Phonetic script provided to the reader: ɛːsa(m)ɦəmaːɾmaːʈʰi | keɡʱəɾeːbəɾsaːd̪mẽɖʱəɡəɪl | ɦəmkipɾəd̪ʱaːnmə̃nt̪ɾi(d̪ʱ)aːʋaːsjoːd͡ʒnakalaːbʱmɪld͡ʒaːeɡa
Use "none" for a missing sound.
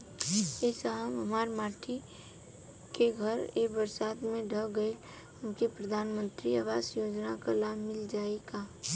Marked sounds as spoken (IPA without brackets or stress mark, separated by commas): m, none